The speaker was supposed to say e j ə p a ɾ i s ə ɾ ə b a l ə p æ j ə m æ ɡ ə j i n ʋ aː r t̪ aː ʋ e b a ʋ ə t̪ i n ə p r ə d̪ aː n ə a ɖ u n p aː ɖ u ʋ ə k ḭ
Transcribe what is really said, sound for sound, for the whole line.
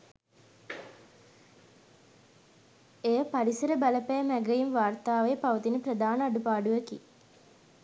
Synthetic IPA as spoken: e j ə p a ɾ i s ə ɾ ə b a l ə p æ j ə m æ ɡ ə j i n ʋ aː r t̪ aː ʋ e p a ʋ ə t̪ i n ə p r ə d̪ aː n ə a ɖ u p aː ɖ u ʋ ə k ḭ